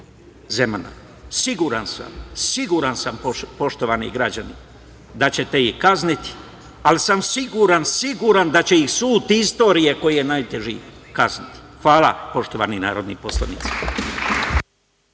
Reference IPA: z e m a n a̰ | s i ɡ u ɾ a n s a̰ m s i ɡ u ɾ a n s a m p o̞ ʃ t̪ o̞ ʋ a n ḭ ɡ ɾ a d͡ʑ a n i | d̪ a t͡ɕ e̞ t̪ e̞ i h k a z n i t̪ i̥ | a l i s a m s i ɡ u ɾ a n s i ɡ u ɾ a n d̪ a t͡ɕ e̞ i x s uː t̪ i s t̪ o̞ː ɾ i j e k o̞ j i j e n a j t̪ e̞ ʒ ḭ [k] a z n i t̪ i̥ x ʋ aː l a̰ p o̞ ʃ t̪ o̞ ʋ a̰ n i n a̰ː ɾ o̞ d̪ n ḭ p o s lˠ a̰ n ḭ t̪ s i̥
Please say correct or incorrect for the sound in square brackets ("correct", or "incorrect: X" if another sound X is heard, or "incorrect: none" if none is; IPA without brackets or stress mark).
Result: correct